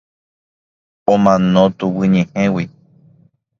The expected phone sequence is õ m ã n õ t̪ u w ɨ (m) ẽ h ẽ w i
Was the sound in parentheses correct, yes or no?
no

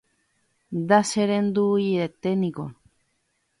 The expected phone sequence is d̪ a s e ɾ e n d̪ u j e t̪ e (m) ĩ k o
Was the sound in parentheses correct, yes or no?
no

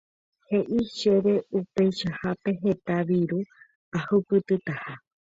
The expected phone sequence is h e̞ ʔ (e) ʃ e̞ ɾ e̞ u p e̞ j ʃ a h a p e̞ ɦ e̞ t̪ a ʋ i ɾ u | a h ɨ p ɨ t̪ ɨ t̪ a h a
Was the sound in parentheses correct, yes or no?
no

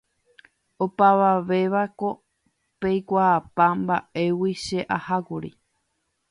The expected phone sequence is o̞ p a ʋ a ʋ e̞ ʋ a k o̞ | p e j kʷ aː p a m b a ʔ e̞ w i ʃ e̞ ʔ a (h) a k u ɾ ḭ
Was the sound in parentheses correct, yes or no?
yes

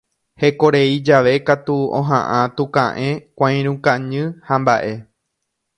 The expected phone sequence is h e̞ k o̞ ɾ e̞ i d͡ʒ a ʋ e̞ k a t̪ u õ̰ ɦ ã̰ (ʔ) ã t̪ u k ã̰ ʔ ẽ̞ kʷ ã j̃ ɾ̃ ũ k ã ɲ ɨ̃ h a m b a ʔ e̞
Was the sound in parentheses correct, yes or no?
yes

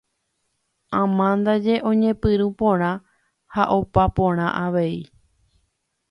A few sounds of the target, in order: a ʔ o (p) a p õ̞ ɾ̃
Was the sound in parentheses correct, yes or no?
yes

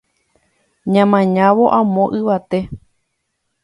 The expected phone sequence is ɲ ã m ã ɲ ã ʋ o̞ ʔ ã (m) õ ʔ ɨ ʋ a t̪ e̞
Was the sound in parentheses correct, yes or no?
yes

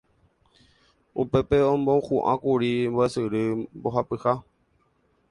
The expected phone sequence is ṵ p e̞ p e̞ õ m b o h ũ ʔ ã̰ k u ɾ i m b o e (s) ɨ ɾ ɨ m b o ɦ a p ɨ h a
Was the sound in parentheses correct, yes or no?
yes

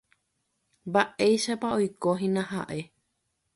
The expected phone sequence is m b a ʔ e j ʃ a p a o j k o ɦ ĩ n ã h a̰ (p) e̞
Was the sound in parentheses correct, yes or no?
no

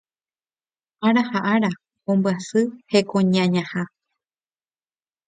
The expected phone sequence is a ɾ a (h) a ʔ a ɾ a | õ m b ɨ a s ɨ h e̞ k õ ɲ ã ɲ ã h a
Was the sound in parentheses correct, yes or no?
yes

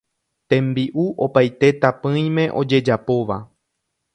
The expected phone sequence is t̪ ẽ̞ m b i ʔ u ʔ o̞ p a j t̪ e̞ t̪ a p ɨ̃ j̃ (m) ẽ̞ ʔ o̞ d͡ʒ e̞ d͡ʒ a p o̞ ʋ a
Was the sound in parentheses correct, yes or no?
yes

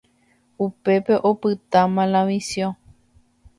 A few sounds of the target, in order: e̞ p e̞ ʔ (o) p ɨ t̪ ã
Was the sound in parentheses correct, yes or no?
yes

